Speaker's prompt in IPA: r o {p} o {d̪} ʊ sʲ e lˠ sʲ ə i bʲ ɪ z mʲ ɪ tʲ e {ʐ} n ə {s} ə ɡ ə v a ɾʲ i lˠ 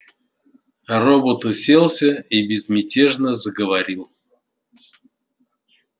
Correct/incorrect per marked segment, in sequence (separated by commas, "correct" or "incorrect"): incorrect, incorrect, correct, incorrect